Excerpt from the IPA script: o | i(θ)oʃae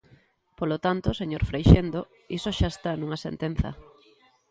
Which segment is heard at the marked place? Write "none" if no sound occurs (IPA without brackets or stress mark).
s